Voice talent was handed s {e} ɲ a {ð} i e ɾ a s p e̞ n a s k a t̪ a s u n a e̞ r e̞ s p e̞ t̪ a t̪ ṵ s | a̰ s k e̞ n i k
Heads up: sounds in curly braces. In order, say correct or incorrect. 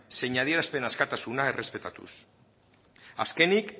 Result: correct, correct

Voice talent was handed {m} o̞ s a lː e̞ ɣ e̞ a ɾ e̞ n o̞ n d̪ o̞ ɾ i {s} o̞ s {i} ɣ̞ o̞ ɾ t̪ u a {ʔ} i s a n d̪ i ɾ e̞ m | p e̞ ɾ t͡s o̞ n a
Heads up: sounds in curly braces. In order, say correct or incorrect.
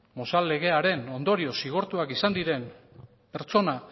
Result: correct, incorrect: none, correct, incorrect: k

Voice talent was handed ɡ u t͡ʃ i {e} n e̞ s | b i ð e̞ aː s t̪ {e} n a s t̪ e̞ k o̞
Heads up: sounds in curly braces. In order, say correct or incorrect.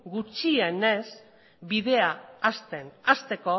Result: correct, correct

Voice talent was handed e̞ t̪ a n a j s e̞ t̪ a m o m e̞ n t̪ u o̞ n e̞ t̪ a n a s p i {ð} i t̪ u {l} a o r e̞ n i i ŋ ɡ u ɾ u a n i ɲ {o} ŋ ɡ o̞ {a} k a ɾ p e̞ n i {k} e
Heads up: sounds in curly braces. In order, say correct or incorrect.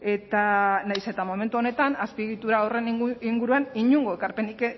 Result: incorrect: ɣ, incorrect: ɾ, incorrect: u, incorrect: e, correct

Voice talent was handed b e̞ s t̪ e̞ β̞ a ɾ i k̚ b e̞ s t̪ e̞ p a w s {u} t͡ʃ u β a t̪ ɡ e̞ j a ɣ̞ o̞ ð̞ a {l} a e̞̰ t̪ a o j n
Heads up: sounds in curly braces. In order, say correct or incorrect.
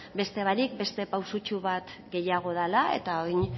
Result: correct, correct

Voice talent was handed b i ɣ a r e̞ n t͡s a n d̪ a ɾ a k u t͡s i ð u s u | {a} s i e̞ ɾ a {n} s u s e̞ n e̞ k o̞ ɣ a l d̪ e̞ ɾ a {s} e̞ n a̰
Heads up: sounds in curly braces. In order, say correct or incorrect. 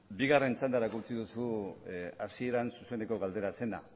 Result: correct, correct, correct

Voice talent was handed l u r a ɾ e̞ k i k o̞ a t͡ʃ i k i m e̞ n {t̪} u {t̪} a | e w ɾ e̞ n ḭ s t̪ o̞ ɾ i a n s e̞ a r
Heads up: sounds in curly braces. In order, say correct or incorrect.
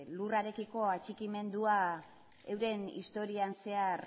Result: incorrect: d̪, incorrect: none

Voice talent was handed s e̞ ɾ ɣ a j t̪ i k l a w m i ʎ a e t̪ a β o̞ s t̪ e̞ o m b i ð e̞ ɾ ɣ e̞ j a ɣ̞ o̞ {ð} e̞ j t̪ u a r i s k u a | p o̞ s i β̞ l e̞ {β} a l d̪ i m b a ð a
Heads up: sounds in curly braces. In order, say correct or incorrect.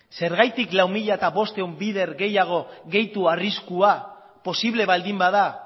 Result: incorrect: ɣ, correct

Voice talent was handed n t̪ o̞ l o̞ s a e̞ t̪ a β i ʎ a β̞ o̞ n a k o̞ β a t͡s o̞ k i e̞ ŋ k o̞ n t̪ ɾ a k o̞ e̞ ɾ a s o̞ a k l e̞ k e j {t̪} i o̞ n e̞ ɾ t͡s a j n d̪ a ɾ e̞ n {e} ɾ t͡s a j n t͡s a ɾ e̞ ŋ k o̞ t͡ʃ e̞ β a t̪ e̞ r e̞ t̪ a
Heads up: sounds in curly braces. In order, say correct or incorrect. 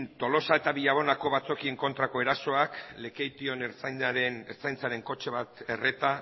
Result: correct, correct

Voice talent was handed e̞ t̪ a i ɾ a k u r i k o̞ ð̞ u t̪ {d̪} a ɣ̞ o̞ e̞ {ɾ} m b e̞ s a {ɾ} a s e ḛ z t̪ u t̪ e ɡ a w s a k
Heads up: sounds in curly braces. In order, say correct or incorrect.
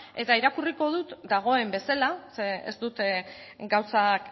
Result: correct, incorrect: none, incorrect: l

